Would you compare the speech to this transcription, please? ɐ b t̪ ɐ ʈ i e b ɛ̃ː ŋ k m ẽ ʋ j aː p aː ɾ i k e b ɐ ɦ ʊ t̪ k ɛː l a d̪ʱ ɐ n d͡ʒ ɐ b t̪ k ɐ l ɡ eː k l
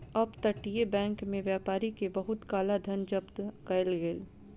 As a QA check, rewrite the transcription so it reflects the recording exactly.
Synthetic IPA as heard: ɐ b t̪ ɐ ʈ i e b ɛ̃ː ŋ k m ẽ ʋ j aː p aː ɾ i k e b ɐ ɦ ʊ t̪ k aː l a d̪ʱ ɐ n d͡ʒ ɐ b t̪ k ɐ l ɡ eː l